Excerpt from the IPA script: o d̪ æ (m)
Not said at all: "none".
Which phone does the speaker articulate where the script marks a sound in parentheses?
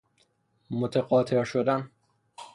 n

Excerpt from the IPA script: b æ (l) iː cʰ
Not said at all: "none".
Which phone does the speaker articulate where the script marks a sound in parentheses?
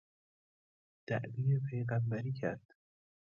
ɾ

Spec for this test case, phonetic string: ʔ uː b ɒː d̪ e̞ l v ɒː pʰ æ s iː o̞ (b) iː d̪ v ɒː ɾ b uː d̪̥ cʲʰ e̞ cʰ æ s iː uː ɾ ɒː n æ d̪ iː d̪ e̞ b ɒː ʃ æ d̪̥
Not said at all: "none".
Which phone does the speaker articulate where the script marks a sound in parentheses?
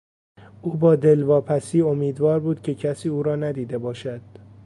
m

